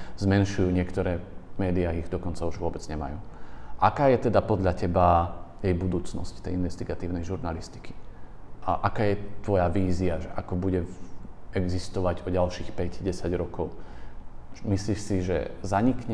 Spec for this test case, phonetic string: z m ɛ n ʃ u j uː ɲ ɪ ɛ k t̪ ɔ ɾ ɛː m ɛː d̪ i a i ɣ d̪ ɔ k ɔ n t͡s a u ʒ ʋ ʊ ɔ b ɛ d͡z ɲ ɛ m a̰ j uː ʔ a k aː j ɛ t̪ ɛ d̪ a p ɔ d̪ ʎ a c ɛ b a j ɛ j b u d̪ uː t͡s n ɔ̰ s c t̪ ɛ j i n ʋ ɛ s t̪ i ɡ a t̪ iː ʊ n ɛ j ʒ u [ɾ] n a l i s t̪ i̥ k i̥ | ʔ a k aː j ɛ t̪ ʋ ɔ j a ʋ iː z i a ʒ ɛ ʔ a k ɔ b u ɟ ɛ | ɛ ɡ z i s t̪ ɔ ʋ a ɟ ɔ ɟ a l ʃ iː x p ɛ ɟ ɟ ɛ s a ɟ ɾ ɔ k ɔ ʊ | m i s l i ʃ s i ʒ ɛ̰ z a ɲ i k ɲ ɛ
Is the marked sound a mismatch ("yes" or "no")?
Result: no